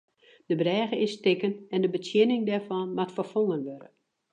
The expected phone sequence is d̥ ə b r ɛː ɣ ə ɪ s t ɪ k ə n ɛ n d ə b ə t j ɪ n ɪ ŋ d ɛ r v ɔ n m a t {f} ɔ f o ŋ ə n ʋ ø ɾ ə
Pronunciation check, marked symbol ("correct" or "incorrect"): correct